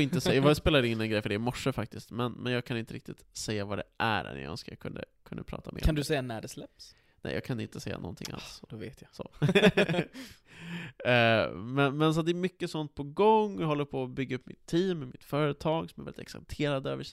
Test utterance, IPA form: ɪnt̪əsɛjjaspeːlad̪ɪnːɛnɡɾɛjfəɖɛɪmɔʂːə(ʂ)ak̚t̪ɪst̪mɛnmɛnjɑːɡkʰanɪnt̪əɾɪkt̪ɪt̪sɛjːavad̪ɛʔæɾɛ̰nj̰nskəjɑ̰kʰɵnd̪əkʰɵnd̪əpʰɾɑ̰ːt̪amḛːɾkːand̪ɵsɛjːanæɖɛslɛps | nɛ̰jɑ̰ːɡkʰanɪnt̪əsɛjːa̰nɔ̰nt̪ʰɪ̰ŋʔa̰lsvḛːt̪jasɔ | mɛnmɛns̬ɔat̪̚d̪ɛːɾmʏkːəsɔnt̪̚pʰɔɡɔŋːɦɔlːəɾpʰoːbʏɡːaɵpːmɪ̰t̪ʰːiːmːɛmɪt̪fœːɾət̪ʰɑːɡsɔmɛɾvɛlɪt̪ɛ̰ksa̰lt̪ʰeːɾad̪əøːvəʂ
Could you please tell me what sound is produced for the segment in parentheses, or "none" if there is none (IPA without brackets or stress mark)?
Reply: f